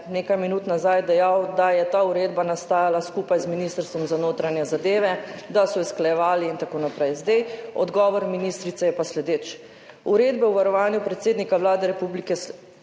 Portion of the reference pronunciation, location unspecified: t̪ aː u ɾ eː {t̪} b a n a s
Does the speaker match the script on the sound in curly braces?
no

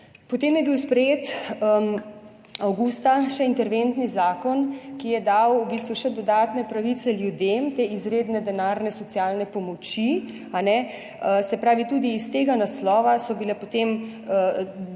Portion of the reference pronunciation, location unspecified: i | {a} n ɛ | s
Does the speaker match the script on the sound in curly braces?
yes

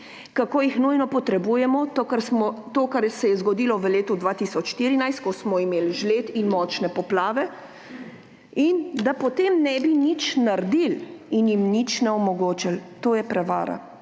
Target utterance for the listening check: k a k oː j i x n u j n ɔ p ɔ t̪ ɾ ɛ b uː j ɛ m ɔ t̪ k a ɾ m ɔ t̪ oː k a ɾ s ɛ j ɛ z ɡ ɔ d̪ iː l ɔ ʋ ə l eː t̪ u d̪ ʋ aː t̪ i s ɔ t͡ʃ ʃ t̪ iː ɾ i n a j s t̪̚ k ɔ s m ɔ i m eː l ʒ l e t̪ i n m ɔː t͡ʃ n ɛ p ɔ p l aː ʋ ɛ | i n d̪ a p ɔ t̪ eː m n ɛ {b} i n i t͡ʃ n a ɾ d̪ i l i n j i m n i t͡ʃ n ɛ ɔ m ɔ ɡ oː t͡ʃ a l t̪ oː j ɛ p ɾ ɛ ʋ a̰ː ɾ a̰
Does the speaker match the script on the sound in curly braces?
yes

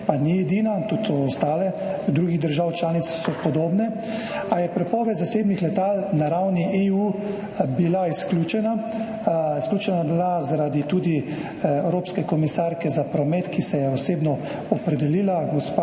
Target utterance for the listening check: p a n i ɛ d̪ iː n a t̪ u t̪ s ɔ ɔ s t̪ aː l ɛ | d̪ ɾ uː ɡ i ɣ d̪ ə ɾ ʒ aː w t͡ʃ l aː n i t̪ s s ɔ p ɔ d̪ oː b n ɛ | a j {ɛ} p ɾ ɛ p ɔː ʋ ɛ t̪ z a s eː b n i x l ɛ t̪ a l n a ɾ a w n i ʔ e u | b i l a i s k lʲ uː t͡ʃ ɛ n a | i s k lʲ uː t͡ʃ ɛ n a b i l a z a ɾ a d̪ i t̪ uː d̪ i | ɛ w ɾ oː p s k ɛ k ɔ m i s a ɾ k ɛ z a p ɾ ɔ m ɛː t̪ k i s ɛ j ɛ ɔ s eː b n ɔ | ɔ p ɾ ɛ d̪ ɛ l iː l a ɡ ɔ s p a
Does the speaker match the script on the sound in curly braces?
yes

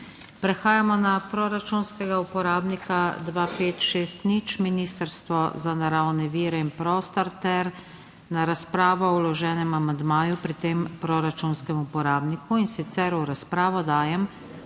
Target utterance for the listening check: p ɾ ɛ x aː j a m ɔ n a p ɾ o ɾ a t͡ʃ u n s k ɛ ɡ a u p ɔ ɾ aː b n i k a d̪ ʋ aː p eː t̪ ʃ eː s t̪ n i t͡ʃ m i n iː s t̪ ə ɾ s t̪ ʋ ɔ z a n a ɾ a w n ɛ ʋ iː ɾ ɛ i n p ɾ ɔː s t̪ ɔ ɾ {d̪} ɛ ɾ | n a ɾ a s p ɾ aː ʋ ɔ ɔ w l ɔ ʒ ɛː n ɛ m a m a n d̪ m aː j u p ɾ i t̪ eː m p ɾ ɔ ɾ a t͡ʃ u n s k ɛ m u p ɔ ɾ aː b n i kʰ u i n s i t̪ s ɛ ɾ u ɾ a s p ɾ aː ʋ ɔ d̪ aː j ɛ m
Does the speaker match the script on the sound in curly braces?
no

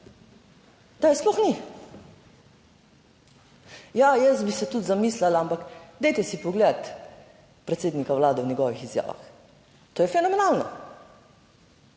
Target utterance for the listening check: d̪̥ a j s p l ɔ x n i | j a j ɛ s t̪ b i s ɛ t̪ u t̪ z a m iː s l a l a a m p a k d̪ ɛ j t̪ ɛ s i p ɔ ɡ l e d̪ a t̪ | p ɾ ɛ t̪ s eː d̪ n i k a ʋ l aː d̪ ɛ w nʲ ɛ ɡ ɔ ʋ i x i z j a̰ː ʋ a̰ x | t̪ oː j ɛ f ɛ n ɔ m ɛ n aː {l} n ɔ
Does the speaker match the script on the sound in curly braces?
yes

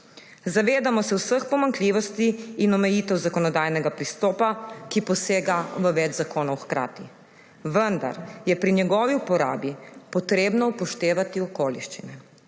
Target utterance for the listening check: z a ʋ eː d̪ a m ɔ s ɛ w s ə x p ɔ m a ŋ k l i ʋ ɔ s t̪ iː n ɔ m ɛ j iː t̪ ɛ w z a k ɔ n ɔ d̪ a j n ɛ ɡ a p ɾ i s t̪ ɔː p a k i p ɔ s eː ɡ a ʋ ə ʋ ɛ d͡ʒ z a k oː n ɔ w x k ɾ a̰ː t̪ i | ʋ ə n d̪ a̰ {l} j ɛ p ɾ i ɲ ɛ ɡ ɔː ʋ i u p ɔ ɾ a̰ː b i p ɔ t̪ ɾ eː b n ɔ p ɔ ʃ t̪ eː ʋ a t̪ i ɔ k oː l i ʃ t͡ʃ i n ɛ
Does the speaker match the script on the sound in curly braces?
no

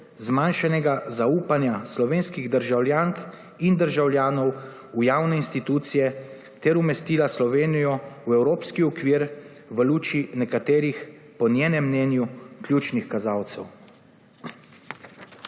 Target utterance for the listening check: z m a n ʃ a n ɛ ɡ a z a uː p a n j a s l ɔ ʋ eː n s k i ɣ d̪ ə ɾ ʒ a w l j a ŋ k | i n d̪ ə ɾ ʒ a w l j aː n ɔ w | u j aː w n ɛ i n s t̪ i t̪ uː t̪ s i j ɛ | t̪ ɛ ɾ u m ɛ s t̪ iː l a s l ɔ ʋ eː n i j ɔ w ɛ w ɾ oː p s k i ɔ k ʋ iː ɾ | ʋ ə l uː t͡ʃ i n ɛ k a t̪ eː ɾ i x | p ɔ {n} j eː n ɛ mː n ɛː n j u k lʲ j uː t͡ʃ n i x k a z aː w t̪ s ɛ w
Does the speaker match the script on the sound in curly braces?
yes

